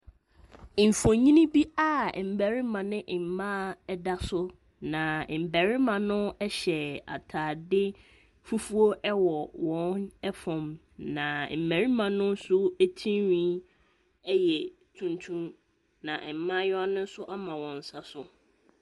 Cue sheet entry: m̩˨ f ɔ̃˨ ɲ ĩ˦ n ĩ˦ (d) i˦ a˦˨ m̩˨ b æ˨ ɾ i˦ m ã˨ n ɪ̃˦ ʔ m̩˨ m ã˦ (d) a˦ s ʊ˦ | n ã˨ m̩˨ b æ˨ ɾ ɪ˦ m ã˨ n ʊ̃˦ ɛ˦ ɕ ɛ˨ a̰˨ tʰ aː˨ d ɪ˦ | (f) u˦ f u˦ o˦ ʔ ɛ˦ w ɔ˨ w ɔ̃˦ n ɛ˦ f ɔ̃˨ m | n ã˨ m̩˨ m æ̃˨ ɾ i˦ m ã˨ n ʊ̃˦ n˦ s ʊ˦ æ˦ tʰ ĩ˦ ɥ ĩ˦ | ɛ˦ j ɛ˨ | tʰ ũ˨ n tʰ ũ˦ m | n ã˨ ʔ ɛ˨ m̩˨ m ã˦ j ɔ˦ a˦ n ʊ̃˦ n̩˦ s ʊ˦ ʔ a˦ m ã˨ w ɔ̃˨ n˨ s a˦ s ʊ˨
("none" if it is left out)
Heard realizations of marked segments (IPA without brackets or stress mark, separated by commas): b, d, f